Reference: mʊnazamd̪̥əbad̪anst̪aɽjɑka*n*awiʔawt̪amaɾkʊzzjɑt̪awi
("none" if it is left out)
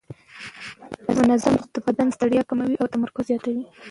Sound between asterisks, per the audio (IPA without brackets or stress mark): m